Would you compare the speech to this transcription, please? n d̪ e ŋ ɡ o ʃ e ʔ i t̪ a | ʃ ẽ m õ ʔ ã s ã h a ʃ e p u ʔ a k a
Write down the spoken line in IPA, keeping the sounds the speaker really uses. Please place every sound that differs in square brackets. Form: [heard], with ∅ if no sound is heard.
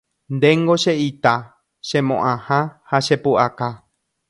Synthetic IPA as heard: n d̪ e ŋ ɡ o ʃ e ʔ i t̪ a | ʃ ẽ m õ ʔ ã [h] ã h a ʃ e p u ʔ a k a